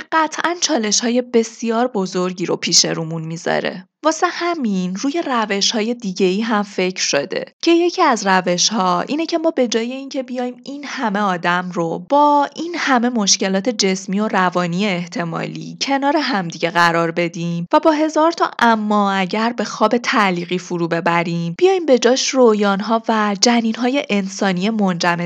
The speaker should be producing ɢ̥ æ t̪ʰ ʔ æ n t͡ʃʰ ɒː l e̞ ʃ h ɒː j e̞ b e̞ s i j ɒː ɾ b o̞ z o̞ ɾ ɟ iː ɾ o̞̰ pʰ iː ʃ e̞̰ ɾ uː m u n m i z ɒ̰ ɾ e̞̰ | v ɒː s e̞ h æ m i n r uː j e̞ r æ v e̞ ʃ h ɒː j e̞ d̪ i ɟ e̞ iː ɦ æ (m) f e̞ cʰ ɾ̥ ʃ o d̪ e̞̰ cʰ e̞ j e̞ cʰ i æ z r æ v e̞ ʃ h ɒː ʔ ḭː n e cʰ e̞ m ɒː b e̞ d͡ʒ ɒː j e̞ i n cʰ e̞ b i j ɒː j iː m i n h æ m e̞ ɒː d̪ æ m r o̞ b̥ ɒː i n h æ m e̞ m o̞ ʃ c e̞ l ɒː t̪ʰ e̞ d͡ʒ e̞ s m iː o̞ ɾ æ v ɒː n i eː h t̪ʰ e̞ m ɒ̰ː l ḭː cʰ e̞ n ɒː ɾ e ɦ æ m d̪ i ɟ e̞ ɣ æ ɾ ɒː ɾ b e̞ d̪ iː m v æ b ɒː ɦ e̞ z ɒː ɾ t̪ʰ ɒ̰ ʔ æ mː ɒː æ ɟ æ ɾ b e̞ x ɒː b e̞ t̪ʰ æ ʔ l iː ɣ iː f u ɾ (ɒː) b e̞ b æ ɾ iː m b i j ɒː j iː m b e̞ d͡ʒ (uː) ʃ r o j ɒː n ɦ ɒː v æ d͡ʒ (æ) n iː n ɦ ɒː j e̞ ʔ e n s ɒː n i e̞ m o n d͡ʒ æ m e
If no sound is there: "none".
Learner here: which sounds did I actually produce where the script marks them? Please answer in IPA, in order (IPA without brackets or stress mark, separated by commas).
m, uː, ɒː, æ